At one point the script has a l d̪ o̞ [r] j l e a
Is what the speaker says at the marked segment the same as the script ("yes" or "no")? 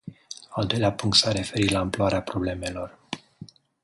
no